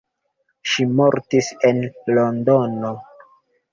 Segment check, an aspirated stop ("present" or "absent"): absent